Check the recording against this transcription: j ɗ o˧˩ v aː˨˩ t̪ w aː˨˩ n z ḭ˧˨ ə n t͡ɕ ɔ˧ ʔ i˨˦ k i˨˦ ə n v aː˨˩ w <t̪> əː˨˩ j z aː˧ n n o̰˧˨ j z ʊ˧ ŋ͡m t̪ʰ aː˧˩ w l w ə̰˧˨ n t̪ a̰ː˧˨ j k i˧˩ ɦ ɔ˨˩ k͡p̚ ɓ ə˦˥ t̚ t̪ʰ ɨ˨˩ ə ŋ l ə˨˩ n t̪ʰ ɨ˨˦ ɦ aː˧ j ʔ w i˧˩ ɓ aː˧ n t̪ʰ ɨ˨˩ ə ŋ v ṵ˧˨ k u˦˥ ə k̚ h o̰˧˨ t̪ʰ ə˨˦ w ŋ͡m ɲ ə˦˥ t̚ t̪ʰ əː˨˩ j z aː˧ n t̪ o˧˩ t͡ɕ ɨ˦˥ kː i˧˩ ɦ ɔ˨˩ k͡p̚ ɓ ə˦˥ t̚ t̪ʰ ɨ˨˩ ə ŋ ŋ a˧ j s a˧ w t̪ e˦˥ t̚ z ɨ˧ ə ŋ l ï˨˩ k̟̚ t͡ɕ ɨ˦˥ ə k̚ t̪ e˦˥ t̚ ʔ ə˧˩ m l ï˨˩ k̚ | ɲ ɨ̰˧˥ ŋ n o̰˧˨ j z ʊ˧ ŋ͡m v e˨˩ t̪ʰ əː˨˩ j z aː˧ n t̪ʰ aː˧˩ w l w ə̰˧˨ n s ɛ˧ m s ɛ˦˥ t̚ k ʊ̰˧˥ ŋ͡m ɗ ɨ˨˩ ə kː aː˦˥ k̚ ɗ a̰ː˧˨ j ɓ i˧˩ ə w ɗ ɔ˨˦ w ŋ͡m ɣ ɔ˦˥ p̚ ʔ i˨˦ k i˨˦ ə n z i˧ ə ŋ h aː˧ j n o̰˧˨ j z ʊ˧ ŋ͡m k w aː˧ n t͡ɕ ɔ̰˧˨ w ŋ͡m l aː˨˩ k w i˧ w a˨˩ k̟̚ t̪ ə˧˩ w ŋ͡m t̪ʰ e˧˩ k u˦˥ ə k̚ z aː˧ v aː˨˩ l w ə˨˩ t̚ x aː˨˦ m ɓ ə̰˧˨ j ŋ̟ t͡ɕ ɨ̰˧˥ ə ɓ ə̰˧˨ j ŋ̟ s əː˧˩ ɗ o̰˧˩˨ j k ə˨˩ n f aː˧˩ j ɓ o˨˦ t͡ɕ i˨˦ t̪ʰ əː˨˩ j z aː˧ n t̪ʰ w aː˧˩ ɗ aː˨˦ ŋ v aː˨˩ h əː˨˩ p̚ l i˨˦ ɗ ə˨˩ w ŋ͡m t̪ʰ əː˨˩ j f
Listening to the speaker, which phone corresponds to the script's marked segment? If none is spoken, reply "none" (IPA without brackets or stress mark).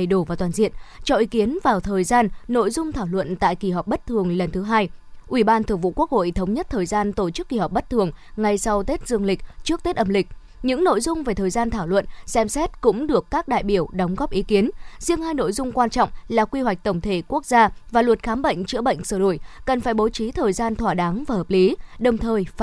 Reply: t̪ʰ